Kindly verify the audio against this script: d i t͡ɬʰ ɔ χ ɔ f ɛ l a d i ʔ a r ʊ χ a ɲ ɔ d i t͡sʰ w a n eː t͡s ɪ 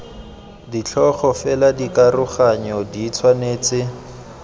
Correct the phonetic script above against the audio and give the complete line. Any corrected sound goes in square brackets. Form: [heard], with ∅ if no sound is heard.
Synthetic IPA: d i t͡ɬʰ ɔ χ ɔ f ɛ l a d i [k] a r ʊ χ a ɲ ɔ d i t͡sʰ w a n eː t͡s ɪ